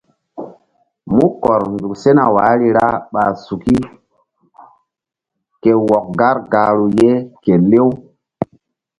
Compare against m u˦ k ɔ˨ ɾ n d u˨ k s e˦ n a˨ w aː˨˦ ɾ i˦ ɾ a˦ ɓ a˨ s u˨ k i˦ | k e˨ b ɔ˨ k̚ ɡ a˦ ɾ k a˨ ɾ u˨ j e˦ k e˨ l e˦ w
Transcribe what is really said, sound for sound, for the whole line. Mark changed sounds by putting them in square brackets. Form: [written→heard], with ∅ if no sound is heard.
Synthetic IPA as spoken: m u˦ k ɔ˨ ɾ n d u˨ k s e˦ n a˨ w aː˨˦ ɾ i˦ ɾ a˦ ɓ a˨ s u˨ k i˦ | k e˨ [b→w] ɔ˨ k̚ ɡ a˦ ɾ [k→ɡ] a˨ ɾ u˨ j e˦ k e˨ l e˦ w